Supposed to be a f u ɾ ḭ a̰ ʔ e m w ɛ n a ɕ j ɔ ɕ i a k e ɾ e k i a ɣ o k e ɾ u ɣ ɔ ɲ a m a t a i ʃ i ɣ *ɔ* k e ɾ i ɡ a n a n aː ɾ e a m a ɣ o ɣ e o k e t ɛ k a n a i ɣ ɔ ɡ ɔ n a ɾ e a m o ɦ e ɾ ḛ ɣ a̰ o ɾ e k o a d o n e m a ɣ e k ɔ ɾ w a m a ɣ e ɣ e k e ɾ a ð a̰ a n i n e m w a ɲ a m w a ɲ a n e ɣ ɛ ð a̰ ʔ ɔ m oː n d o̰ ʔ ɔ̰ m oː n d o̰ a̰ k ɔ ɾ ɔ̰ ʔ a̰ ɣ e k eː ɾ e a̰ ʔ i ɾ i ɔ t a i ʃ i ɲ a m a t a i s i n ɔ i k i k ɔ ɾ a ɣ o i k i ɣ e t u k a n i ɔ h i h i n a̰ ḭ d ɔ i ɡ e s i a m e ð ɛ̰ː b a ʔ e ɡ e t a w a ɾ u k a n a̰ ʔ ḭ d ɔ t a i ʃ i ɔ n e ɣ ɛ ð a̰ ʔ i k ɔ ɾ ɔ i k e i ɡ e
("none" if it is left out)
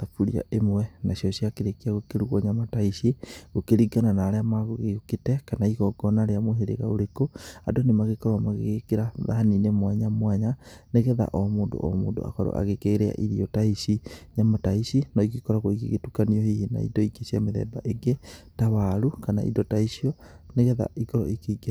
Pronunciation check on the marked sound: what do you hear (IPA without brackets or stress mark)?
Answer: o